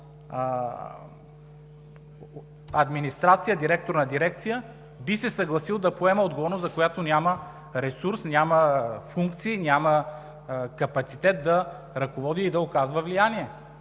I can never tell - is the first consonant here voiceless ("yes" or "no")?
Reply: no